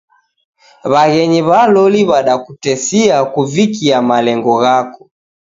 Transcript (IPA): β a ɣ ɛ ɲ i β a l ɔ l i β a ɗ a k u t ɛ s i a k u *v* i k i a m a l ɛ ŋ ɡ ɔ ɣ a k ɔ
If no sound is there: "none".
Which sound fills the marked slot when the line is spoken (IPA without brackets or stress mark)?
v